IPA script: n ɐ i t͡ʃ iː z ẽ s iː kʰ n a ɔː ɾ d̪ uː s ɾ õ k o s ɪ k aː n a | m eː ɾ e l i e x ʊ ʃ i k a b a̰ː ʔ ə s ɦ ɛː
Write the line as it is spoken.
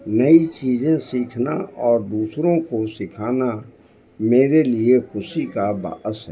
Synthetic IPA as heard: n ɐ i t͡ʃ iː z ẽ s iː kʰ n a ɔː ɾ d̪ uː s ɾ õ k o s ɪ kʰ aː n a | m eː ɾ e l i e x ʊ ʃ i k a b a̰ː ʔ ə s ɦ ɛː

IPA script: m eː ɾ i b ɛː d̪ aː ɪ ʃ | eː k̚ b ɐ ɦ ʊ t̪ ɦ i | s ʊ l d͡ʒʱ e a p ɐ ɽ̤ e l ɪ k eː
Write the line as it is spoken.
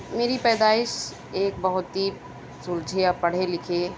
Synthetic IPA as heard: m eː ɾ i p ɛː d̪ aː ɪ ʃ | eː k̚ b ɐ ɦ ʊ t̪ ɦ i | s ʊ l d͡ʒʱ e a p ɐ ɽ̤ e l ɪ kʰ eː

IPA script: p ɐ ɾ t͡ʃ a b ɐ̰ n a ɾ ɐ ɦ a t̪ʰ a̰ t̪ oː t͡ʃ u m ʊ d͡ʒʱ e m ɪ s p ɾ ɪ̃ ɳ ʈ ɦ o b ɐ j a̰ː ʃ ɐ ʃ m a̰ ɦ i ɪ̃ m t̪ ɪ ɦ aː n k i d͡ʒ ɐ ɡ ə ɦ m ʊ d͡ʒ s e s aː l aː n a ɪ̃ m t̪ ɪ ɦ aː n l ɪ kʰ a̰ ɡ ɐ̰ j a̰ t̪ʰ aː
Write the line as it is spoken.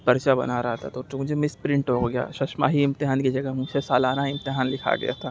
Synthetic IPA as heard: p ɐ ɾ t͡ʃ a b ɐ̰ n a ɾ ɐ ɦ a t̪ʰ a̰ t̪ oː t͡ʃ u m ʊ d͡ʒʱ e m ɪ s p ɾ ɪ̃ ɳ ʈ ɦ o ɡ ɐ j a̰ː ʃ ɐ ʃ m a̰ ɦ i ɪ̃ m t̪ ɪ ɦ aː n k i d͡ʒ ɐ ɡ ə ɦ m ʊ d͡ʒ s e s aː l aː n a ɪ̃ m t̪ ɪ ɦ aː n l ɪ kʰ a̰ ɡ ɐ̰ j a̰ t̪ʰ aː

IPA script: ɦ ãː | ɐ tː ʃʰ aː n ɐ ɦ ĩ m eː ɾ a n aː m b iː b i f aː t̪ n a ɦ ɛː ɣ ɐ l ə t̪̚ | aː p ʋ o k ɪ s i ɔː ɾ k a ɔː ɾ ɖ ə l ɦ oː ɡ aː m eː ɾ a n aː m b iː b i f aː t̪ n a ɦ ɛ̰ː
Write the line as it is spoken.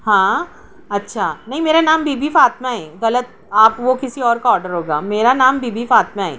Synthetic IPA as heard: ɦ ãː | ɐ tː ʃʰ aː n ɐ ɦ ĩ m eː ɾ a n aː m b iː b i f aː t̪ m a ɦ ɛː ɣ ɐ l ə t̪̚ | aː p ʋ o k ɪ s i ɔː ɾ k a ɔː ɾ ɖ ə ɾ ɦ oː ɡ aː m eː ɾ a n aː m b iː b i f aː t̪ m a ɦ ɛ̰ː

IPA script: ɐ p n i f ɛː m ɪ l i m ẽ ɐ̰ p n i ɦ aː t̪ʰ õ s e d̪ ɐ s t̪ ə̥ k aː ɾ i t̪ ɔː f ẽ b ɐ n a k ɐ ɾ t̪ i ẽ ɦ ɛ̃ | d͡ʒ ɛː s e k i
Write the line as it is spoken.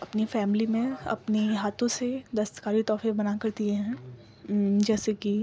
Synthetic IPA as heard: ɐ p n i f ɛː m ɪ l i m ẽ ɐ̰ p n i ɦ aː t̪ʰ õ s e d̪ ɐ s t̪ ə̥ k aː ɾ i t̪ ɔː f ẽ b ɐ n a k ɐ ɾ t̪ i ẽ ɦ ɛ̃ | d͡ʒ ɛː s e k i

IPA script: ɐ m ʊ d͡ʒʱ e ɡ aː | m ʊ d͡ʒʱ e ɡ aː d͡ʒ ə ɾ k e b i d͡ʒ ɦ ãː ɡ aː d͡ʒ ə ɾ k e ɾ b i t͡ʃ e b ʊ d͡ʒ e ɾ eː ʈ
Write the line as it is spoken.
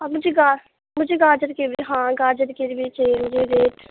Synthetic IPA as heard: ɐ m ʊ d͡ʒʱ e ɡ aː | m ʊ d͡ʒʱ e ɡ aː d͡ʒ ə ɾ k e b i ɦ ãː ɡ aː d͡ʒ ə ɾ k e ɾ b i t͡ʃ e m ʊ d͡ʒ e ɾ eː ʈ

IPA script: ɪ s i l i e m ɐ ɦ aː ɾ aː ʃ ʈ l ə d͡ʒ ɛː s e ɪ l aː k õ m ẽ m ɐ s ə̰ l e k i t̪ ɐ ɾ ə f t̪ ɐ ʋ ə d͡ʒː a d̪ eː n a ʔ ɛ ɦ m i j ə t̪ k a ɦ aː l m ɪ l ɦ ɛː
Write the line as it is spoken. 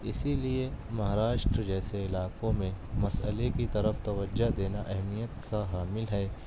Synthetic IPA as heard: ɪ s i l i e m ɐ ɦ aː ɾ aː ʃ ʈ ɾ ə d͡ʒ ɛː s e ɪ l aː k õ m ẽ m ɐ s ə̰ l e k i t̪ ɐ ɾ ə f t̪ ɐ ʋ ə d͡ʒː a d̪ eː n a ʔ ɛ ɦ m i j ə t̪ k a ɦ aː m ɪ l ɦ ɛː

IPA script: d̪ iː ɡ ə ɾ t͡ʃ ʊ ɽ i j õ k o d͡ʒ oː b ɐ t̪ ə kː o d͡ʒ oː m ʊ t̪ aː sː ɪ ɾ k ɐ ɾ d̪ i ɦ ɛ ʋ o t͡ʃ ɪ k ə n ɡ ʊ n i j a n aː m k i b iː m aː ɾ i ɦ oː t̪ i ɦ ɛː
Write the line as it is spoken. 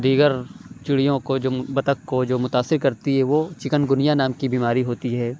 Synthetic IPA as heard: d̪ iː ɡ ə ɾ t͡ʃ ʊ ɽ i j õ k o d͡ʒ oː b ɐ t̪ ə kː o d͡ʒ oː m ʊ t̪ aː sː ɪ ɾ k ɐ ɾ t̪ i ɦ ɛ ʋ o t͡ʃ ɪ k ə n ɡ ʊ n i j a n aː m k i b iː m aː ɾ i ɦ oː t̪ i ɦ ɛː

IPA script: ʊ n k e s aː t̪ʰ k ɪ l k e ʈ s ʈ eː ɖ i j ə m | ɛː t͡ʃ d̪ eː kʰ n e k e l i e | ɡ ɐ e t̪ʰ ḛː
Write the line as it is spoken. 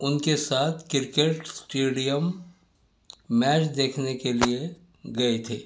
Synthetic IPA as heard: ʊ n k e s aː t̪ʰ k ɪ ɾ k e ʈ s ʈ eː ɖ i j ə m | ɛː t͡ʃ d̪ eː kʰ n e k e l i e | ɡ ɐ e t̪ʰ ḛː

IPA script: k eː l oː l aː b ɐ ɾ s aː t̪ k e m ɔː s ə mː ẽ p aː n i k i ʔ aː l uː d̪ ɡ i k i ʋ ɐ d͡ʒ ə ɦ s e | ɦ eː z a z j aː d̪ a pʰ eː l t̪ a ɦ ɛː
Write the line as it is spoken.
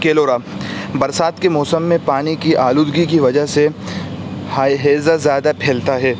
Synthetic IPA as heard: k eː l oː ɾ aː b ɐ ɾ s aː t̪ k e m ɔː s ə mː ẽ p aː n i k i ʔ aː l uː d̪ ɡ i k i ʋ ɐ d͡ʒ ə ɦ s e | ɦ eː z a z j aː d̪ a pʰ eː l t̪ a ɦ ɛː

